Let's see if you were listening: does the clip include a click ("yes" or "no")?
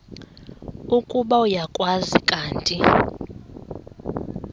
no